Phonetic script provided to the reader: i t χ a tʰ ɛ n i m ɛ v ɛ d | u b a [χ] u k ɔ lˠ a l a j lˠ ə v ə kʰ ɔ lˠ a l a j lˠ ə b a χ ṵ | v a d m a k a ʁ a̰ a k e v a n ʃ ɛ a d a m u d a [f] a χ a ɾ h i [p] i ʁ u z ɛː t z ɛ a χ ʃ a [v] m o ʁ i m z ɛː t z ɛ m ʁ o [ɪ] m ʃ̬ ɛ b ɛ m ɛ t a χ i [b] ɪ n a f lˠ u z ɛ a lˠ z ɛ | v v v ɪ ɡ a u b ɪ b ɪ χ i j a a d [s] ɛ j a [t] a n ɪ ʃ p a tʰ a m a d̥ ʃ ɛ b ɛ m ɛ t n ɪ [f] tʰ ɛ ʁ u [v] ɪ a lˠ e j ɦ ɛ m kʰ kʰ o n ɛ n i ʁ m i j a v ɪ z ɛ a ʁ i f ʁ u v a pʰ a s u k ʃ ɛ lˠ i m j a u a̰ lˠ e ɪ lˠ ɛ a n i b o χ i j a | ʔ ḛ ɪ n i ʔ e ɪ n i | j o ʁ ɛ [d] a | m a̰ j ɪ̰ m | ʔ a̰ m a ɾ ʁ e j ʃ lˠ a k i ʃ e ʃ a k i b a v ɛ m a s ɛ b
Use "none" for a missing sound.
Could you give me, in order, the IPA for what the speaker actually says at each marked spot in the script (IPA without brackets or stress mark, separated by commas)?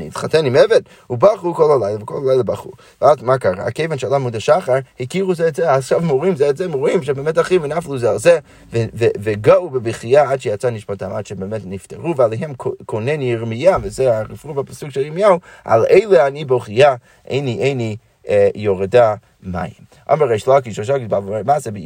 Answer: χ, ʃ, k, v, i, v, ʃ, t͡s, f, v, d